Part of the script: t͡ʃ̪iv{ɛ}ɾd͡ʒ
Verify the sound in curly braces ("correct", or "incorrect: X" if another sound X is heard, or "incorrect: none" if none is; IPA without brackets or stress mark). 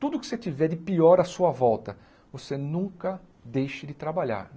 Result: correct